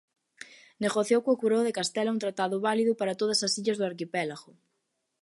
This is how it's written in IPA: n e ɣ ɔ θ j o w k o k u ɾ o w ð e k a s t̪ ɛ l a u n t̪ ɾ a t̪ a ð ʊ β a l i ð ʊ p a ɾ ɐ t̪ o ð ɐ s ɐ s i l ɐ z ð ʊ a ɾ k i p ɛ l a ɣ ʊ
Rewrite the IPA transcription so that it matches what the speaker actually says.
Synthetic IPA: n e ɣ o θ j o w k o k u ɾ o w ð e k a s t̪ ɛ l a u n t̪ ɾ a t̪ a ð ʊ β a l i ð ʊ p a ɾ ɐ t̪ o ð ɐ s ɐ s i ʎ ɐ z ð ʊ a ɾ k i p ɛ l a ɣ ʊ